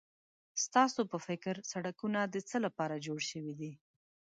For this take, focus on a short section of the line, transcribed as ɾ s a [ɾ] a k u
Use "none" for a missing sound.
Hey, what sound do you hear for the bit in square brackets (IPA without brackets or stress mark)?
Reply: ɽ